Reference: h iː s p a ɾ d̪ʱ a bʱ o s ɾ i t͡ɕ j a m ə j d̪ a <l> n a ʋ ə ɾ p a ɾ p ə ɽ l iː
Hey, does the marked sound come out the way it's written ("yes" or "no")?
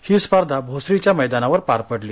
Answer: no